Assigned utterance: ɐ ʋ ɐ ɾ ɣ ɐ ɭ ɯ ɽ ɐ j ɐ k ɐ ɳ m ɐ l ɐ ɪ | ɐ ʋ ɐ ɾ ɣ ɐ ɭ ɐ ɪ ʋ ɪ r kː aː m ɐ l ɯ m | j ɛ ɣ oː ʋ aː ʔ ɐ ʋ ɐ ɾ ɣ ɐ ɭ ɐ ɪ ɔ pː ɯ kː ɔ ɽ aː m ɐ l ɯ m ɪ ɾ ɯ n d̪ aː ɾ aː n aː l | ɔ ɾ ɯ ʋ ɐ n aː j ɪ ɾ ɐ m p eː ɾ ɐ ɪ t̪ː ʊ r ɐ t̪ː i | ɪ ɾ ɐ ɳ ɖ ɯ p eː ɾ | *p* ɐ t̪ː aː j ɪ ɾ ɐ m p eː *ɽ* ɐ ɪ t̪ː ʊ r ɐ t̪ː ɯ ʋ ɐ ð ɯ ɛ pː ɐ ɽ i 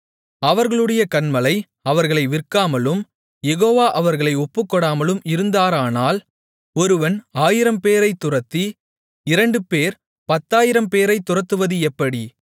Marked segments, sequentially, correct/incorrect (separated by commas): correct, incorrect